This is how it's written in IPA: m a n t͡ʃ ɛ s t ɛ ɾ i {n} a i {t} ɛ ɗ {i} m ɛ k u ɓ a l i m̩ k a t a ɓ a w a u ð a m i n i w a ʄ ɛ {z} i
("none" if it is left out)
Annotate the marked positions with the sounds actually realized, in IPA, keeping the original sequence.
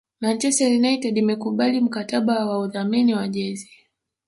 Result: n, t, i, z

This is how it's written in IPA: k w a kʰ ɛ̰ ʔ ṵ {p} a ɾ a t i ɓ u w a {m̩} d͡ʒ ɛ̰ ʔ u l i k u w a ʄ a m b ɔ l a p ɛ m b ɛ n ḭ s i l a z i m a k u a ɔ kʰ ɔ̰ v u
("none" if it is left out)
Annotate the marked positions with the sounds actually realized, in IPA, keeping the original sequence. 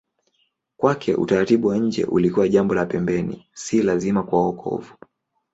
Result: t, ɲ̩

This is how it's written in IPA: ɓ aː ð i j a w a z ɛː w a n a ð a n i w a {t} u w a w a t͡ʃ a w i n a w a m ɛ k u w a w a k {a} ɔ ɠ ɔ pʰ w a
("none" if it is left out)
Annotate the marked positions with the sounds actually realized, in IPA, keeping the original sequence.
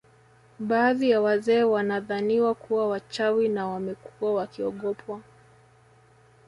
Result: k, i

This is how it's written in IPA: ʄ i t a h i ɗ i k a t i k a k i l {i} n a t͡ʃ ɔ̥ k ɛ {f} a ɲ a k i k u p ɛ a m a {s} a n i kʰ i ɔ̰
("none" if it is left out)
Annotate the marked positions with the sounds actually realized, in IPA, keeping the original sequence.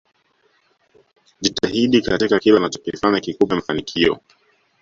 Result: a, f, f

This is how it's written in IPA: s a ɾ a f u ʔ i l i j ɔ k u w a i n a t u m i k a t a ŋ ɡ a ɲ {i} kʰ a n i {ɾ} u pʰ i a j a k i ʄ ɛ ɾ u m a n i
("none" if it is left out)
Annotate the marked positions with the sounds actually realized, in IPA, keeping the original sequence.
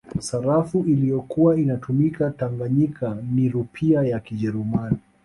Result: i, ɾ

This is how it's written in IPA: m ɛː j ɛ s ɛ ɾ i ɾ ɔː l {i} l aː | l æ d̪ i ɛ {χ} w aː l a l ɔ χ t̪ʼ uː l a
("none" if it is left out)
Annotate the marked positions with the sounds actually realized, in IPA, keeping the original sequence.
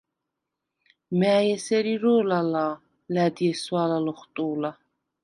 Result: a, s

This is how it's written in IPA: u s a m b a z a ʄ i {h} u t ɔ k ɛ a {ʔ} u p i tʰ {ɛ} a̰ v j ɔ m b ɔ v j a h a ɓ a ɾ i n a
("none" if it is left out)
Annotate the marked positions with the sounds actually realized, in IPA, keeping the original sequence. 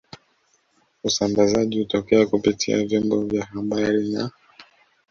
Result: h, k, i

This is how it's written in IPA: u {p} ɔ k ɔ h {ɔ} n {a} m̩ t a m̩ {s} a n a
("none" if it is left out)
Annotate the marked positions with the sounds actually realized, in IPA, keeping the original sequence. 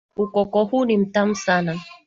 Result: k, u, i, s

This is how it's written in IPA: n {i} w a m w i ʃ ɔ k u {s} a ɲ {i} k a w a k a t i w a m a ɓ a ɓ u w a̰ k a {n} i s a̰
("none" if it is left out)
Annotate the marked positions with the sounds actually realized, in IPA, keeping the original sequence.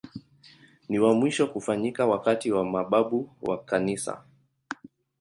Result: i, f, i, n

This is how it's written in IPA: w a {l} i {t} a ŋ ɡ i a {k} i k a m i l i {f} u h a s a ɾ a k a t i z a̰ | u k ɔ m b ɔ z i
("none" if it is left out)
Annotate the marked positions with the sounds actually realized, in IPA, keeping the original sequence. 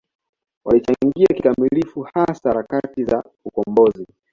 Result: l, t͡ʃ, k, f

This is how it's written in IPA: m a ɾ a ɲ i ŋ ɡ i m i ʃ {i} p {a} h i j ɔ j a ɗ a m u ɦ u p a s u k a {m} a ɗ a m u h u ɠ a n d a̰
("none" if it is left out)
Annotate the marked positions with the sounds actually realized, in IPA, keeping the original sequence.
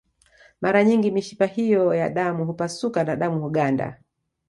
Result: i, a, n

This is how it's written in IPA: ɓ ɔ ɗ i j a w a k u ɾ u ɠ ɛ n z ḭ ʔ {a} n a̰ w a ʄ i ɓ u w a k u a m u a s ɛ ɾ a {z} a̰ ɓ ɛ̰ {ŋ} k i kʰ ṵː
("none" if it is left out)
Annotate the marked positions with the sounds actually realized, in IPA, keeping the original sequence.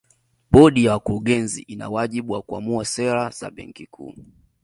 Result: i, z, ŋ

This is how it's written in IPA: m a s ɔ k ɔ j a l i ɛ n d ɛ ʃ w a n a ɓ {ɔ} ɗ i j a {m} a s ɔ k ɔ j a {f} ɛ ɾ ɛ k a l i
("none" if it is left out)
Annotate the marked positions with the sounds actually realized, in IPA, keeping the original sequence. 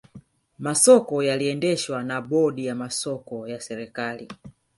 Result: ɔ, m, s

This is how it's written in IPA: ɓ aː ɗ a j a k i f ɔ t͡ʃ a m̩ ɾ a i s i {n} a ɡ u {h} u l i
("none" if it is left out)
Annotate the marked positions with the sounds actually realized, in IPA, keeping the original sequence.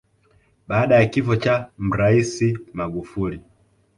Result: m, f

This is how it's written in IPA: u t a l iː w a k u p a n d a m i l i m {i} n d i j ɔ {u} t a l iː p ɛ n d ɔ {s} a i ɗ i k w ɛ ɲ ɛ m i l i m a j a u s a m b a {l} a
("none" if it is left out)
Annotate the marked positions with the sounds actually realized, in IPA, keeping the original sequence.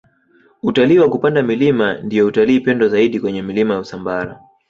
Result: a, u, z, ɾ

